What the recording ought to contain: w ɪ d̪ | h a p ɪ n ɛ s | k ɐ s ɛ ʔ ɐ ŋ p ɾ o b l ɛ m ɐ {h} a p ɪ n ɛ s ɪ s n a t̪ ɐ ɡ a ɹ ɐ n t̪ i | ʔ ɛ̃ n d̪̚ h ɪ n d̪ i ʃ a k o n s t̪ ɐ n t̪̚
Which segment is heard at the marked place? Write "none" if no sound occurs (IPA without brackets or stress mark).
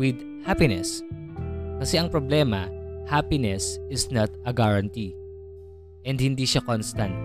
h